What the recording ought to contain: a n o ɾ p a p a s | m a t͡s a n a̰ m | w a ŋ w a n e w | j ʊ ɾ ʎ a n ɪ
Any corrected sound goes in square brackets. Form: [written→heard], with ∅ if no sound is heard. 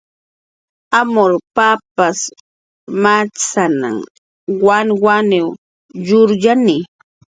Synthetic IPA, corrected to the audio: a [n→m] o ɾ p a p a s | m a t͡s a n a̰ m | w a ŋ w a n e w | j ʊ ɾ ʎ a n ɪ

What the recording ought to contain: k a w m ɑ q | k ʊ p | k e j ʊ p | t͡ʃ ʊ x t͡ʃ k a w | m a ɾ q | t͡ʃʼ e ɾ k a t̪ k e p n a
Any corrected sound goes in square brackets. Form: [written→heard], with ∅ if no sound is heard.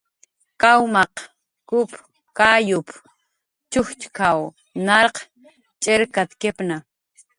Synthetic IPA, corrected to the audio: k a w m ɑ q | k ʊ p | k [e→a] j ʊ p | t͡ʃ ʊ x t͡ʃ k a w | [m→n] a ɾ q | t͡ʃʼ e ɾ k a t̪ k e p n a

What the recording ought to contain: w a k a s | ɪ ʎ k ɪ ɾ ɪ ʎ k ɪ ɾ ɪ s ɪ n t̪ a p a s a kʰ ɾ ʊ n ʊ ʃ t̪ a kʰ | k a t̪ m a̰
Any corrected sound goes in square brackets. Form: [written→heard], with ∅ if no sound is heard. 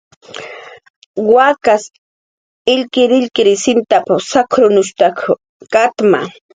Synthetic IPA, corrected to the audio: w a k a s | ɪ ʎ k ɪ ɾ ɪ ʎ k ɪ ɾ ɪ s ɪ n t̪ a p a s a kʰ ɾ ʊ n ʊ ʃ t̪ a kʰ | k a t̪ m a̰

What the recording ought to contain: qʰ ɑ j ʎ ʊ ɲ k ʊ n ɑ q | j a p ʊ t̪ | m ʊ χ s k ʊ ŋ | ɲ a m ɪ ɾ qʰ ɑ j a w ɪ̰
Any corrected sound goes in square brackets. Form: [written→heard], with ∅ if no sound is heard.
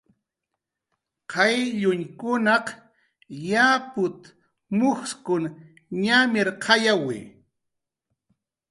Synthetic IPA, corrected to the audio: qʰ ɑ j ʎ ʊ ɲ k ʊ n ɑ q | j a p ʊ t̪ | m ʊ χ s k ʊ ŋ | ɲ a m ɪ ɾ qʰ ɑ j a w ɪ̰

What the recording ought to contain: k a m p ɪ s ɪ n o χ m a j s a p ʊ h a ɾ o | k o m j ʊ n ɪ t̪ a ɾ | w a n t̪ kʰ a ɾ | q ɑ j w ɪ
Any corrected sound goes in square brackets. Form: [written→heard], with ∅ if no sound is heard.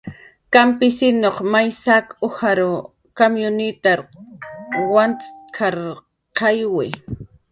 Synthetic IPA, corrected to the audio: k a m p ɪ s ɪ n o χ m a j s a [p→k] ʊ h a ɾ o | k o m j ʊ n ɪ t̪ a ɾ | w a n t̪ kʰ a ɾ | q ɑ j w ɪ

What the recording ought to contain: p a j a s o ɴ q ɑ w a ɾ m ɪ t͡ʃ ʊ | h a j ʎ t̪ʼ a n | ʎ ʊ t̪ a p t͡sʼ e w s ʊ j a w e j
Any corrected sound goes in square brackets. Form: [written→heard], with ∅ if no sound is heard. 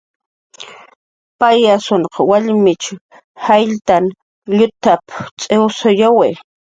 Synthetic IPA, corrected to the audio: p a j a s o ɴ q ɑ w a [ɾ→ʎ] m ɪ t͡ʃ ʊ | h a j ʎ [t̪ʼ→t̪] a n | ʎ ʊ t̪ a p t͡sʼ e w s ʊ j a w e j

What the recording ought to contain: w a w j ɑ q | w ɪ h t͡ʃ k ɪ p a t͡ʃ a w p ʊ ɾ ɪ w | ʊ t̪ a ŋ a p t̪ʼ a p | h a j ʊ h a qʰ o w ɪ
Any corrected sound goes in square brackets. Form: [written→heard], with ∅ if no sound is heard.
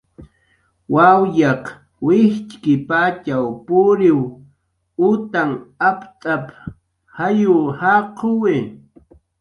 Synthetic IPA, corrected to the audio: w a w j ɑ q | w ɪ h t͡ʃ k ɪ p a t͡ʃ a w p ʊ ɾ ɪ w | ʊ t̪ a ŋ a p t̪ʼ a p | h a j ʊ h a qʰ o w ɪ

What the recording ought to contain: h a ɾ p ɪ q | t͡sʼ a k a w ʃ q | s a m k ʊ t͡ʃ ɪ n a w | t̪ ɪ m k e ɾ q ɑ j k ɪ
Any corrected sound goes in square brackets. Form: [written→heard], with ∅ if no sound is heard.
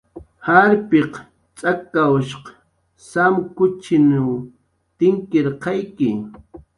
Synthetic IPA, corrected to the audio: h a ɾ p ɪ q | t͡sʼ a k a w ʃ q | s a m k ʊ t͡ʃ ɪ n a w | t̪ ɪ [m→ŋ] k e ɾ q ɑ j k ɪ

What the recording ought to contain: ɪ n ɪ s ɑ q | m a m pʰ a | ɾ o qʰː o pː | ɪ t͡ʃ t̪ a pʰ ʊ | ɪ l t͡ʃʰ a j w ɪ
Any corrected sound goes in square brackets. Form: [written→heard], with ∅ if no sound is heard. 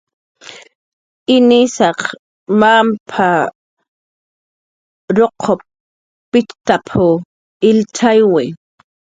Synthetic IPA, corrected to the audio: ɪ n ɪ s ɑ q | m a m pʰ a | ɾ o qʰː o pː | ɪ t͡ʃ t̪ a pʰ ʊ | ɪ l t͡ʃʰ a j w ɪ

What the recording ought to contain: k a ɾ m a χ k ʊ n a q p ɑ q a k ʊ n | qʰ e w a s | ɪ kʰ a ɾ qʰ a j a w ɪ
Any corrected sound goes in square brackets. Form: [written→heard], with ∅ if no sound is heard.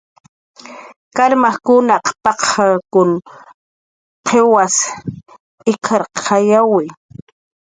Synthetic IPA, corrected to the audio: k a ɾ m a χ k ʊ n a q p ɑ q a k ʊ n | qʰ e w a s | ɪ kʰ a ɾ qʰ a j a w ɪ

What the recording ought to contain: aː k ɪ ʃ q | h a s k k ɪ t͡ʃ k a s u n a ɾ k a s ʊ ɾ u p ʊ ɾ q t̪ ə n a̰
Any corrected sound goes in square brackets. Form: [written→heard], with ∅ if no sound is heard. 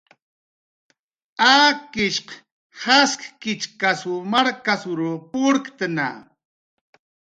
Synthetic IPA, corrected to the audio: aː k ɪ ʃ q | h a s k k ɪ t͡ʃ k a s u [n→m] a ɾ k a s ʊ ɾ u p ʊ ɾ [q→k] t̪ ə n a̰

